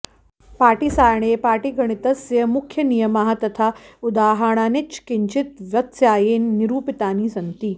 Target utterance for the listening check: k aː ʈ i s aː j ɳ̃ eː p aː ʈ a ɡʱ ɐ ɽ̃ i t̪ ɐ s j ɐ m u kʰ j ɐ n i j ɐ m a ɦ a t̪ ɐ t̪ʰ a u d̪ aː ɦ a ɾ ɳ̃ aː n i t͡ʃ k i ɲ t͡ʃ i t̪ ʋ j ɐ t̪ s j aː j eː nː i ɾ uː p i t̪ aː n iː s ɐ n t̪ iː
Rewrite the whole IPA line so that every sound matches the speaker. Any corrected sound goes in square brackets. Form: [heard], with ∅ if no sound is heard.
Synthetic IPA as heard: [p] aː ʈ i s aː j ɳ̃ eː p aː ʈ [i] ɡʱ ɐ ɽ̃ i t̪ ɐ s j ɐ m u kʰ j ɐ n i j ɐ m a ɦ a t̪ ɐ t̪ʰ a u d̪ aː ɦ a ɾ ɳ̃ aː n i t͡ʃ k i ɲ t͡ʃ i t̪ ʋ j ɐ t̪ s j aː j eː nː i ɾ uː p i t̪ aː n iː s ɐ n t̪ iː